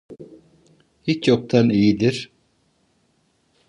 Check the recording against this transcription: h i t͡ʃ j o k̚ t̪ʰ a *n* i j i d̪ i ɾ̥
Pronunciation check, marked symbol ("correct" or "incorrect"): correct